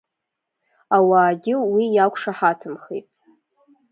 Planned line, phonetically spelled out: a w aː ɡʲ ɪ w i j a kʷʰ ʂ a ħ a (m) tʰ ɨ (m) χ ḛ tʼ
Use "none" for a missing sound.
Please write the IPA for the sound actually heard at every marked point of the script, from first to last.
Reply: none, m

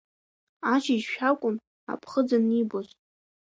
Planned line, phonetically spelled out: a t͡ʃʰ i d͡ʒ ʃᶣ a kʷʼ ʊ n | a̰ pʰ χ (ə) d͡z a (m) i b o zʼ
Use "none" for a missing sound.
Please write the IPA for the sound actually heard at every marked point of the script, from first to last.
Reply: ə, n

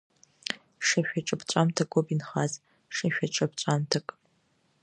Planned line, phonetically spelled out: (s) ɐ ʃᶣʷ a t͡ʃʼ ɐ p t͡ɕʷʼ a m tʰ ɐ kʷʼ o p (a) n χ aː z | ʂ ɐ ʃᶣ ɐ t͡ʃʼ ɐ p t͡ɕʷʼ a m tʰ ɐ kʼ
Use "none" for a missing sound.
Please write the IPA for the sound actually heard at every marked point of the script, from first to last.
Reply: ʂ, i

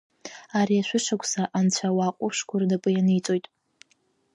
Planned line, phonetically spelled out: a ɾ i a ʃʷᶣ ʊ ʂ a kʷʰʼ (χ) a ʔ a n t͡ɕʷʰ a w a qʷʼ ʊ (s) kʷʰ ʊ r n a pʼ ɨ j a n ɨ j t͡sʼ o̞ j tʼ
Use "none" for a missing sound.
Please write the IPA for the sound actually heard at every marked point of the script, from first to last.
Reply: s, ʂ

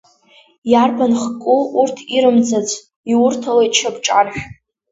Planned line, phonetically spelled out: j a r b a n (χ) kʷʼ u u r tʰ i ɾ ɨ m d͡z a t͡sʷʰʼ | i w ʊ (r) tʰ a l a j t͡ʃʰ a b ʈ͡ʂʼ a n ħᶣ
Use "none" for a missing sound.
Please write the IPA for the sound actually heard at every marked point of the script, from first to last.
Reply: χ, r

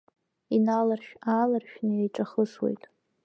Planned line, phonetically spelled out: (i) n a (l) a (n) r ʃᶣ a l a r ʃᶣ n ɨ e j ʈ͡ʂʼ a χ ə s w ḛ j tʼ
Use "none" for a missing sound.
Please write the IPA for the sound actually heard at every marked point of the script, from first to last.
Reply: i, l, none

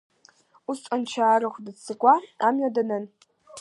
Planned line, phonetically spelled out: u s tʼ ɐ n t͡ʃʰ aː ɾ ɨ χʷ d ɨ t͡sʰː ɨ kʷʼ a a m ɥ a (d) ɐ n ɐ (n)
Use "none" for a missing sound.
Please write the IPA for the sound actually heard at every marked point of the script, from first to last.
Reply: d, n

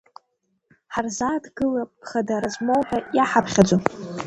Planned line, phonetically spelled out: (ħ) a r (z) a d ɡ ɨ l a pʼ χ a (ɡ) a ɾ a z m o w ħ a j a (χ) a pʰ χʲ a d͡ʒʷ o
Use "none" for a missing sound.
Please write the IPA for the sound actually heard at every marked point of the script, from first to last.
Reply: ħ, z, d, ħ

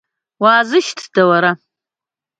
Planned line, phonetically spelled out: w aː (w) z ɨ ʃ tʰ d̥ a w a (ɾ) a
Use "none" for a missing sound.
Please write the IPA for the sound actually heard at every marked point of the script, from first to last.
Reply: none, ɾ

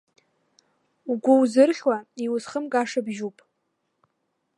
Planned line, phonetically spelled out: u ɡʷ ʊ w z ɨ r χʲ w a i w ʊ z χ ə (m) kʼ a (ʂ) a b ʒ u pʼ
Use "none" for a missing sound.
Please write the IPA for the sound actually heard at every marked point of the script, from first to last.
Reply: m, ʂ

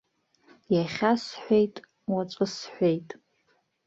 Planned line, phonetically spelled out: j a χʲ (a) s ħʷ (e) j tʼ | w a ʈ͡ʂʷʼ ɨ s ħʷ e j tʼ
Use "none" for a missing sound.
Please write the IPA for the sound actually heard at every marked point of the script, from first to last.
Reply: a, e

